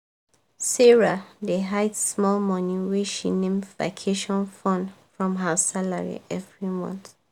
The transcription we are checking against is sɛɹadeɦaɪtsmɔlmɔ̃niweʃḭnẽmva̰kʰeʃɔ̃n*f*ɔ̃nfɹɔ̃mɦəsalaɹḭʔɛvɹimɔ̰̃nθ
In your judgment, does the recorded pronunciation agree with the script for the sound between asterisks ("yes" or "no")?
yes